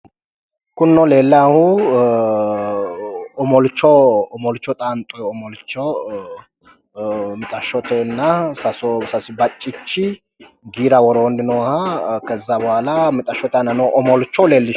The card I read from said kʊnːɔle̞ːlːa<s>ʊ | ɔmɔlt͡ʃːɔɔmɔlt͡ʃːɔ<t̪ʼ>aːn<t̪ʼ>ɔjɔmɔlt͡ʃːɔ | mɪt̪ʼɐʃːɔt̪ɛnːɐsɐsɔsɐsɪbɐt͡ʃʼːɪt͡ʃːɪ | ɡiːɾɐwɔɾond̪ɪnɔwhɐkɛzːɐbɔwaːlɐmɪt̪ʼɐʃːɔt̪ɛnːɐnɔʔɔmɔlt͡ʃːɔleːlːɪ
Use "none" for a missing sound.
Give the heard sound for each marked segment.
h, t̪ʼ, t̪ʼ

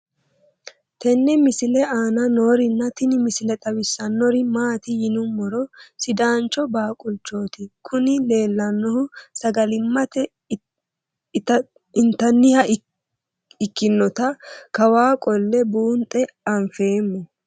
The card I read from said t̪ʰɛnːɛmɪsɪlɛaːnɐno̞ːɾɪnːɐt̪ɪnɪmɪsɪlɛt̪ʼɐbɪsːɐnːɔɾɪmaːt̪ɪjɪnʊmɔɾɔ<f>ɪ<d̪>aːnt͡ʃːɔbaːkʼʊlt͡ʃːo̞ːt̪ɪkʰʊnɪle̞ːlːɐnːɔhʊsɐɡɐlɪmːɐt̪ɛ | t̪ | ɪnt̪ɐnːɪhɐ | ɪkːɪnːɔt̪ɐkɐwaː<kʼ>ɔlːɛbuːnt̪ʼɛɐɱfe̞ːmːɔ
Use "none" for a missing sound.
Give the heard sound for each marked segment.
s, d̪, kʼ

